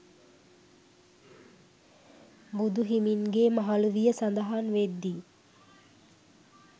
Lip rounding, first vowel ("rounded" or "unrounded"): rounded